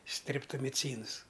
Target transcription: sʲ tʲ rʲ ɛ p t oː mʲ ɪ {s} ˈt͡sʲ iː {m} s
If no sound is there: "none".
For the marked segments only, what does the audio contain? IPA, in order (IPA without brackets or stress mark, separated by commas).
none, n